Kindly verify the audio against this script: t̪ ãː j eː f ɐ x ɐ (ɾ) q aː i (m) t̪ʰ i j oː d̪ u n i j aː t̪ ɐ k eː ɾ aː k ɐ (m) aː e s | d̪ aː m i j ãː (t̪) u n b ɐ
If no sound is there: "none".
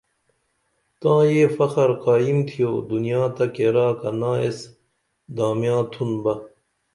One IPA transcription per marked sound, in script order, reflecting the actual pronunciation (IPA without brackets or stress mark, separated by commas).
ɾ, m, n, t̪ʰ